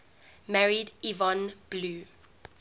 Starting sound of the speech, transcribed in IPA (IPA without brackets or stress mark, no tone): m